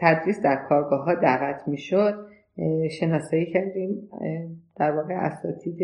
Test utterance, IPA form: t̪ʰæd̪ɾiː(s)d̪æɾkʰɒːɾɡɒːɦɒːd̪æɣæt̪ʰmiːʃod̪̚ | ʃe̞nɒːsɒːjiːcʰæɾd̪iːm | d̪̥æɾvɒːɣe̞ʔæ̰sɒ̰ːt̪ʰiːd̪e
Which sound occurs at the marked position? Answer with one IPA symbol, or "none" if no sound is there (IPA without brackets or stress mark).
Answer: s